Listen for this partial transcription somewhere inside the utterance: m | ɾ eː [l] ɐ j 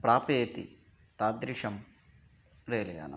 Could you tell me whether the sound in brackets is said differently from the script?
no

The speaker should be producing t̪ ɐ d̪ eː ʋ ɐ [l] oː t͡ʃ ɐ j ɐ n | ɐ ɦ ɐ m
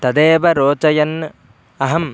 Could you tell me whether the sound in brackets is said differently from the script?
yes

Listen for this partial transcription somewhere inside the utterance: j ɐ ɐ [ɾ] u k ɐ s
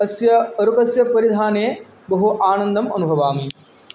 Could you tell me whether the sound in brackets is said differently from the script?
no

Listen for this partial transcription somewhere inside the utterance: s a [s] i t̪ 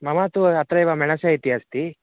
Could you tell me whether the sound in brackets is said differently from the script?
yes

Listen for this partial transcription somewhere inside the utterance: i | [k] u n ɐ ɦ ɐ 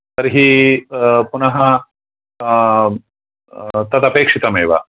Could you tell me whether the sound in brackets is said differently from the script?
yes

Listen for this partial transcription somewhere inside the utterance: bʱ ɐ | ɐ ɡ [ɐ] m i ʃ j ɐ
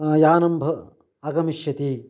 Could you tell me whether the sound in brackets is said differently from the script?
no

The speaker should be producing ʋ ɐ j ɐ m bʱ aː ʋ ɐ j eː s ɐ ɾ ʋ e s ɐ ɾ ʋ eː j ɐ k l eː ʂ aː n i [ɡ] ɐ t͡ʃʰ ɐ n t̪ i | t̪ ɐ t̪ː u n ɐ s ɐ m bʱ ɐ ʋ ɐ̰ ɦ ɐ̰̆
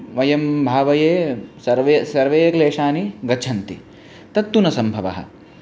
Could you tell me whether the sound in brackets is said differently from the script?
no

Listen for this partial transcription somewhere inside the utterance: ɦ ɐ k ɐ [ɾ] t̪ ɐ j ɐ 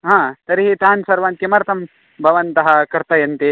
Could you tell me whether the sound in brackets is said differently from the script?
no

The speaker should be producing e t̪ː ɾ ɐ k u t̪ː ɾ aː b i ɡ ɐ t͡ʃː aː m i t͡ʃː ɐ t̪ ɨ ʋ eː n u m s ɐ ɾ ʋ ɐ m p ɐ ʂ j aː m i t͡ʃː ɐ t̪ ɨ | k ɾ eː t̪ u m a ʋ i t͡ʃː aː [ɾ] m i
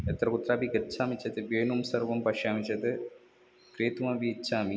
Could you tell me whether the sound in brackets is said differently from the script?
yes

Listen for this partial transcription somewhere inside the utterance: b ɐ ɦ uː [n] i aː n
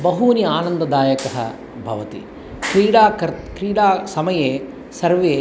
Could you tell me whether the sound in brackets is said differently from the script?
no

